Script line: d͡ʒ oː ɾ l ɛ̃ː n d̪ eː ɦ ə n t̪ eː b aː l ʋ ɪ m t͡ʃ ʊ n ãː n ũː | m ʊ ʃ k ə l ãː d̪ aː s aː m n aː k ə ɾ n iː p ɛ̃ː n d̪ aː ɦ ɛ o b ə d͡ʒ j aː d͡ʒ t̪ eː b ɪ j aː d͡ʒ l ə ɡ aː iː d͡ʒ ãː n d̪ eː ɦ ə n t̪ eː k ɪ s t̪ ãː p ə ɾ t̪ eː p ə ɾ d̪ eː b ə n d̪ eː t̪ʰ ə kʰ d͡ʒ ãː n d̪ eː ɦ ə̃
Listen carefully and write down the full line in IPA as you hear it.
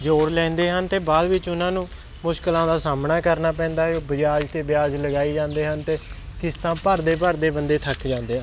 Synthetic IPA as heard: d͡ʒ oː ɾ l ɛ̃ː n d̪ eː ɦ ə n t̪ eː b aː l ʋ ɪ t͡ʃ ʊ n ãː n ũː | m ʊ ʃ k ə l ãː d̪ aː s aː m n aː k ə ɾ n aː p ɛ̃ː n d̪ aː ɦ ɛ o b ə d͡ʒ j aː d͡ʒ t̪ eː b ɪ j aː d͡ʒ l ə ɡ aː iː d͡ʒ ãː n d̪ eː ɦ ə n t̪ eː k ɪ s t̪ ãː p ə ɾ d̪ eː p ə ɾ d̪ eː b ə n d̪ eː t̪ʰ ə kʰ d͡ʒ ãː n d̪ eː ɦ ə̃

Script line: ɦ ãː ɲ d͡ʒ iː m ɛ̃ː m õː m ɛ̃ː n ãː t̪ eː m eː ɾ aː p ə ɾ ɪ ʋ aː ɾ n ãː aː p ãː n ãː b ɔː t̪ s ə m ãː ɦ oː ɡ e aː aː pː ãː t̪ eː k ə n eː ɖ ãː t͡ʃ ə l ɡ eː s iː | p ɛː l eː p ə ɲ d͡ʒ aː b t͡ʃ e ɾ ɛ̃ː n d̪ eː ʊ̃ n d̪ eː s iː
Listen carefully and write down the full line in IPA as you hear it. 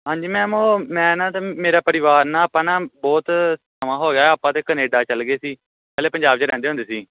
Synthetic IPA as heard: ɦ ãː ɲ d͡ʒ iː m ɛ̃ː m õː m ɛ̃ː n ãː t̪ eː m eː ɾ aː p ə ɾ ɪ ʋ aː ɾ n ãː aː p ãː n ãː b ɔː t̪ s ə m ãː ɦ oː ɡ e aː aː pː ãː t̪ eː k ə n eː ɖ aː t͡ʃ ə l ɡ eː s iː | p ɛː l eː p ə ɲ d͡ʒ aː b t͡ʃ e ɾ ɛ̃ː n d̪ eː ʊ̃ n d̪ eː s iː

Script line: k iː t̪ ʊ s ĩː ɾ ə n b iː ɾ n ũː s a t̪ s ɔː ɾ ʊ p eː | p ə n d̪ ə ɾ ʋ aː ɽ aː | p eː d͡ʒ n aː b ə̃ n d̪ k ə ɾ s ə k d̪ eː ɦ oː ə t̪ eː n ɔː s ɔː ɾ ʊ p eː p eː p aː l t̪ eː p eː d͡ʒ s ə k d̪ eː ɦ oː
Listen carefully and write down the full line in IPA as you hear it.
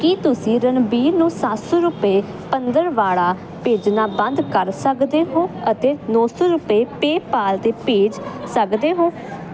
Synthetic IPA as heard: k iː t̪ ʊ s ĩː ɾ ə n b iː ɾ n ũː s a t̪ s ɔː ɾ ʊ p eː | p ə n d̪ ə ɾ ʋ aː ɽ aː | p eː d͡ʒ n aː b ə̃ n d̪ k ə ɾ s ə k d̪ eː ɦ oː ə t̪ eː n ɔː s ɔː ɾ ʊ p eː p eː p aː l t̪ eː p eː d͡ʒ s ə k d̪ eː ɦ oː

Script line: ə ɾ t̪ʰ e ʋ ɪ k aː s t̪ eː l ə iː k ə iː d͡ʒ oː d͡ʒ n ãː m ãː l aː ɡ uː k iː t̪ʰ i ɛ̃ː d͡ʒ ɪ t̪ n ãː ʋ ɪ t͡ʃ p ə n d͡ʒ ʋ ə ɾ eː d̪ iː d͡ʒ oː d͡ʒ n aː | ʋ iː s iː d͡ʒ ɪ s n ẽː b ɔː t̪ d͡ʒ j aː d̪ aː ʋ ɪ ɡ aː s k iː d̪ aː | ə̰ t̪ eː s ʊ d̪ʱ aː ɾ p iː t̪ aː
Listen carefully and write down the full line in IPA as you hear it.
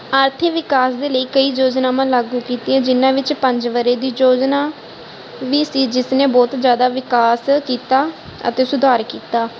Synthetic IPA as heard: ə ɾ t̪ʰ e ʋ ɪ k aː s d̪ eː l ə iː k ə iː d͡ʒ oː d͡ʒ n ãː m ãː l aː ɡ uː k iː t̪ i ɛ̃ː d͡ʒ ɪ n ãː ʋ ɪ t͡ʃ p ə ɲ d͡ʒ ʋ ə ɾ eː d̪ iː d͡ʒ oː d͡ʒ n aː | ʋ iː s iː d͡ʒ ɪ s n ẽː b ɔː t̪ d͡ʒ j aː d̪ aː ʋ ɪ k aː s k iː t̪ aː | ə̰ t̪ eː s ʊ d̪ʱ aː ɾ k iː t̪ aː

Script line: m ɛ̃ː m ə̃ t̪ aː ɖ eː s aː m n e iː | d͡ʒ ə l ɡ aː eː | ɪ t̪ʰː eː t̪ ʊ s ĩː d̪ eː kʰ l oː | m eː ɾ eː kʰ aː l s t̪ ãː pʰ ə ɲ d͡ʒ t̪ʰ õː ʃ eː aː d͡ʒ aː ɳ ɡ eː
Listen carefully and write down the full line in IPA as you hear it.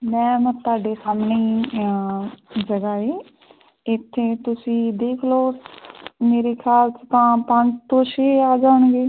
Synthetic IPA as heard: m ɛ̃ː m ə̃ t̪ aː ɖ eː s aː m n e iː | d͡ʒ ə ɡ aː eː | ɪ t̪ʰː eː t̪ ʊ s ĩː d̪ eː kʰ l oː | m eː ɾ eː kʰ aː l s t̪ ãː p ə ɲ d͡ʒ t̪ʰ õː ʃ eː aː d͡ʒ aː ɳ ɡ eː

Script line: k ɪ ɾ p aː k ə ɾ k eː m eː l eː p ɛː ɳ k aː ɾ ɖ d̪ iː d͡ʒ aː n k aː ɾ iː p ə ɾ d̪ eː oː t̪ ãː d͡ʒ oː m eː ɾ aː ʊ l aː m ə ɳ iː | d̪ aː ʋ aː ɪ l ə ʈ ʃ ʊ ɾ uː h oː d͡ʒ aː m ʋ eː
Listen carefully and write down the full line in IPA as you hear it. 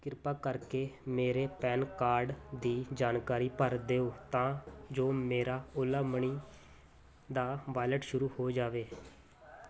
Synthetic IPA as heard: k ɪ ɾ p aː k ə ɾ k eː m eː ɾ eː p ɛː n k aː ɾ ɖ d̪ iː d͡ʒ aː n k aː ɾ iː p ə ɾ d̪ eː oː t̪ ãː d͡ʒ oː m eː ɾ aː ʊ l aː m ə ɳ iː | d̪ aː ʋ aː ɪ l ə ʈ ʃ ʊ ɾ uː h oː d͡ʒ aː ʋ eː

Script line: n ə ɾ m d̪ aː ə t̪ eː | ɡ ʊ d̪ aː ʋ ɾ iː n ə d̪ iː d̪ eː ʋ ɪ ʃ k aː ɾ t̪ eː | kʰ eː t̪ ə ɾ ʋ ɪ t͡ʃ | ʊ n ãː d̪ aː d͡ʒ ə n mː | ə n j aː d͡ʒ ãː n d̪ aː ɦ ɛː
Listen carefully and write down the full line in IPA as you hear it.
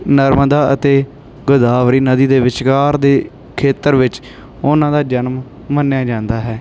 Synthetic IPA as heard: n ə ɾ m d̪ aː ə t̪ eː | ɡ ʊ d̪ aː ʋ ɾ iː n ə d̪ iː d̪ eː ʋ ɪ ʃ k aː ɾ d̪ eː | kʰ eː t̪ ə ɾ ʋ ɪ t͡ʃ | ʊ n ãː d̪ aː d͡ʒ ə n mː | ə n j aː d͡ʒ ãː n d̪ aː ɦ ɛː

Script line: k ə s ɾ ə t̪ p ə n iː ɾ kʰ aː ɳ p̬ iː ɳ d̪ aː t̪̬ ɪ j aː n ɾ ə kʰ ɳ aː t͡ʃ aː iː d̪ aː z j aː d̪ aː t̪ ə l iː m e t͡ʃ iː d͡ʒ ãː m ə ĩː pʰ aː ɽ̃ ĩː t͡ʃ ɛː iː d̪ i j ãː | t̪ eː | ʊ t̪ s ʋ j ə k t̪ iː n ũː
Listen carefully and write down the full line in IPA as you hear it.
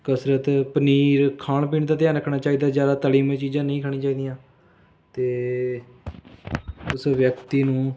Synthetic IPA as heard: k ə s ɾ ə t̪ p ə n iː ɾ kʰ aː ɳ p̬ iː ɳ d̪ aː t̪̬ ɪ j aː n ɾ ə kʰ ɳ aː t͡ʃ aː iː d̪ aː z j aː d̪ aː t̪ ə l iː m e t͡ʃ iː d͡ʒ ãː n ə ĩː kʰ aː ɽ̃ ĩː t͡ʃ aː iː d̪ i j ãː | t̪ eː | ʊ s ʋ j ə k t̪ iː n ũː

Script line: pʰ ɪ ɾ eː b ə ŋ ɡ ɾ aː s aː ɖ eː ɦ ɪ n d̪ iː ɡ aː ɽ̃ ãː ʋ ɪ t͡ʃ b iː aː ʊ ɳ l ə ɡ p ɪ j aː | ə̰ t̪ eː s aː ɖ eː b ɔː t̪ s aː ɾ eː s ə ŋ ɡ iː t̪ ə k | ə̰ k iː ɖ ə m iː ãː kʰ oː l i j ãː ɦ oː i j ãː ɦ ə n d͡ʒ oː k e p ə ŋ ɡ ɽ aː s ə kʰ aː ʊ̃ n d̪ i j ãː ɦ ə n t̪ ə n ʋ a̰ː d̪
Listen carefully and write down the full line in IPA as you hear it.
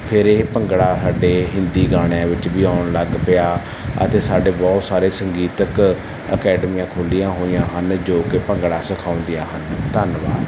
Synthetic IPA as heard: pʰ ɪ ɾ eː p ə ŋ ɡ ɽ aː s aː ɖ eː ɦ ɪ n d̪ iː ɡ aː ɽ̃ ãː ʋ ɪ t͡ʃ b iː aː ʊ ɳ l ə ɡ p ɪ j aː | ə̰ t̪ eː s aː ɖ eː b ɔː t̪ s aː ɾ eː s ə ŋ ɡ iː t̪ ə k | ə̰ k ɛː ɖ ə m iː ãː kʰ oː l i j ãː ɦ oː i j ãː ɦ ə n d͡ʒ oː k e p ə ŋ ɡ ɽ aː s ə kʰ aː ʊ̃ n d̪ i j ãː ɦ ə n t̪ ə n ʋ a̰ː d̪

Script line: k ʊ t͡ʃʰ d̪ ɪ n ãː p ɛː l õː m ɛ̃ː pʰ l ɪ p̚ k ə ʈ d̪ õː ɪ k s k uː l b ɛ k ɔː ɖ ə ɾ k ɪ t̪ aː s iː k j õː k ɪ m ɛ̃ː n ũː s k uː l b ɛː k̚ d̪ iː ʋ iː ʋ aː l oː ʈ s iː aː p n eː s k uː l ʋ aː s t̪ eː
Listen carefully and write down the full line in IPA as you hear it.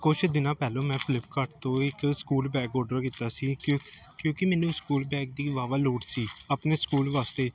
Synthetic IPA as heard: k ʊ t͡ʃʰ d̪ ɪ n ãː p ɛː l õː m ɛ̃ː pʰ l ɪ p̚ k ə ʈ t̪ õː ɪ k s k uː l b ɛː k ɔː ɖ ə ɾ k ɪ t̪ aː s iː k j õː k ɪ m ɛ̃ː n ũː s k uː l b ɛː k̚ d̪ iː ʋ aː ʋ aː l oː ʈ s iː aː p n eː s k uː l ʋ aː s t̪ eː

